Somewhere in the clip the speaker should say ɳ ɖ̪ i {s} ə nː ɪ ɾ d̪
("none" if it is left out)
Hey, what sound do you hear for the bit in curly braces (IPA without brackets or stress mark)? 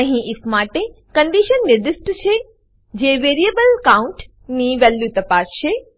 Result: ʃ